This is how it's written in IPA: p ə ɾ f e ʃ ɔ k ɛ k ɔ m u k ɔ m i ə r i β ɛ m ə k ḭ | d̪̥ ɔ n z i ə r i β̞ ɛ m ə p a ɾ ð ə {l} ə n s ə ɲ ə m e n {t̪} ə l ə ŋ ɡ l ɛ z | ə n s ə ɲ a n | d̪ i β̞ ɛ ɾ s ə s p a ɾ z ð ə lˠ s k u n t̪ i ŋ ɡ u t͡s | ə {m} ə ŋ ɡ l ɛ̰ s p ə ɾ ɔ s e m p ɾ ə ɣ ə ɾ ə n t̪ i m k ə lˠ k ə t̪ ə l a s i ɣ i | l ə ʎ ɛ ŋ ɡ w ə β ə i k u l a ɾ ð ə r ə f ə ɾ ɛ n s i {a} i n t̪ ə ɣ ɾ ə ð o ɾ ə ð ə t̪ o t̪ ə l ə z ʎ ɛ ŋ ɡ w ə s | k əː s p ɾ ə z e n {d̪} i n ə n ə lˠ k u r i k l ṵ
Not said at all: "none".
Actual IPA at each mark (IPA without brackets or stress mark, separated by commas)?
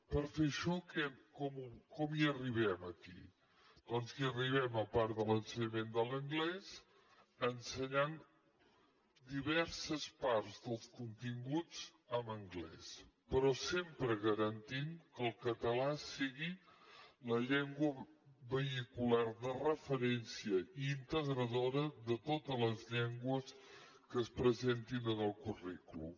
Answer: l, d̪, m, ə, t̪